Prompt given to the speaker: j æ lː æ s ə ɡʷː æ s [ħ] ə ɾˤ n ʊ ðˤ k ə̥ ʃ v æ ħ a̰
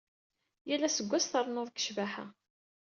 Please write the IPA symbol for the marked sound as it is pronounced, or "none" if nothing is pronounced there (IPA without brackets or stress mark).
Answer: θ